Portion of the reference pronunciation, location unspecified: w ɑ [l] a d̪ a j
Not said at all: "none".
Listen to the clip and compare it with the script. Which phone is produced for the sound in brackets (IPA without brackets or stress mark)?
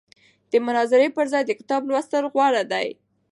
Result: ɽ